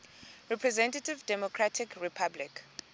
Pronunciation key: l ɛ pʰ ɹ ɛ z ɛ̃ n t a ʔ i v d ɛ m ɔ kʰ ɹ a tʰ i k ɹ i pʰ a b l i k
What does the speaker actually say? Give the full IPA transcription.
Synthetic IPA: ɹ ɛ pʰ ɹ ɛ z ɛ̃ n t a t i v d ɛ m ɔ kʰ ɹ a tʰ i k ɹ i pʰ a b l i k

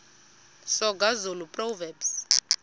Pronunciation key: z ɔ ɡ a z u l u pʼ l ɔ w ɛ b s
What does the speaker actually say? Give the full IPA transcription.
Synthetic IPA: s ɔ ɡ a z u l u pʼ r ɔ v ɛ b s

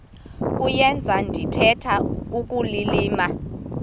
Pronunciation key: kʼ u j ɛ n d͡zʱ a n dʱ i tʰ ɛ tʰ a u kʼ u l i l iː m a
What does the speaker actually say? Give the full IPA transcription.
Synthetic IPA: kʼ u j ɛ n d͡zʱ a n dʱ i tʰ ɛ tʰ a u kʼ u l i l iː m a

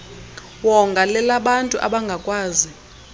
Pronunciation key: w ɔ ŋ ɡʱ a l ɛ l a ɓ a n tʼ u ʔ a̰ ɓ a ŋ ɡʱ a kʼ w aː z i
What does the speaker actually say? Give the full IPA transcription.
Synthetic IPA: w ɔ ŋ ɡʱ a l ɛ l a ɓ a n tʼ u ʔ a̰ ɓ a ŋ ɡʱ a kʼ w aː z i

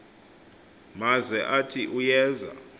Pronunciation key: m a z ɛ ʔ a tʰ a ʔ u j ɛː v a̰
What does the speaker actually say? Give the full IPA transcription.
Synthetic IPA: m a z ɛ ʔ a tʰ i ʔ u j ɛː z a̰

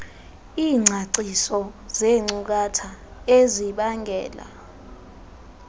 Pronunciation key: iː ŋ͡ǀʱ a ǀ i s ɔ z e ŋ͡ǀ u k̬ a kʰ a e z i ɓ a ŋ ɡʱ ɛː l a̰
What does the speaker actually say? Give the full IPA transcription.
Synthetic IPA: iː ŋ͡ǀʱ a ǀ i s ɔ z e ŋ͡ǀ u k̬ a tʰ a e z i ɓ a ŋ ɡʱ ɛː l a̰

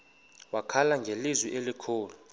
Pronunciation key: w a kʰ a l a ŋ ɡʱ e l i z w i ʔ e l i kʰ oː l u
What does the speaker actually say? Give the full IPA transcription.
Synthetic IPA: w a kʰ a l a ŋ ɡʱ e l i z w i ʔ e l i kʰ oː l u

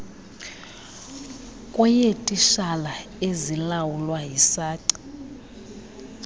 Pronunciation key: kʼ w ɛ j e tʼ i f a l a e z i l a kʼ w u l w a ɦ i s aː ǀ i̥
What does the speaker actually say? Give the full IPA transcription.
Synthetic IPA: kʼ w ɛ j e tʼ i ʃ a l a e z i l a w u l w a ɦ i s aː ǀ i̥

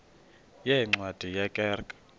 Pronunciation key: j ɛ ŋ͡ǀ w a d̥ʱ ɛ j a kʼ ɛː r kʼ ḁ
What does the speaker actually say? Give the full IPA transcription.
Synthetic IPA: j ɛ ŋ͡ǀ w a d̥ʱ i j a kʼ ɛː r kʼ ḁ

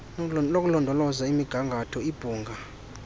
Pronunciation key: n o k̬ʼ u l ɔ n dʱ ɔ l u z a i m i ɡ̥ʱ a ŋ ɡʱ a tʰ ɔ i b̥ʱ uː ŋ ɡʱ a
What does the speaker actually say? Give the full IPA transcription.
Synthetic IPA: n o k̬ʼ u l ɔ n dʱ ɔ l ɔ z a i m i ɡ̥ʱ a ŋ ɡʱ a tʰ ɔ i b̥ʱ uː ŋ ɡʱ a

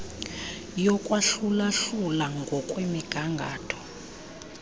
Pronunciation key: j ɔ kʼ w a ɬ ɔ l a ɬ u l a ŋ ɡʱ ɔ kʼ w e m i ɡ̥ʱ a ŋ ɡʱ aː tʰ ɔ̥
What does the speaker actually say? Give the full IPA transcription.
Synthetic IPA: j ɔ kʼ w a ɬ u l a ɬ u l a ŋ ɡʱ ɔ kʼ w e m i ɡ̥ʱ a ŋ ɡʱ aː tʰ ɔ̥

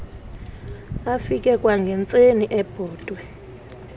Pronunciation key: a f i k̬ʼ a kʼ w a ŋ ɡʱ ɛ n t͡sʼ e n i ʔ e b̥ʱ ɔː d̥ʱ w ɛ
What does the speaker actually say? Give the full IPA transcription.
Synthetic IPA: a f i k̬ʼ ɛ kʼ w a ŋ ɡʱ ɛ n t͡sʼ e n i ʔ ɛ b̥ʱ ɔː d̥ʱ w ɛ

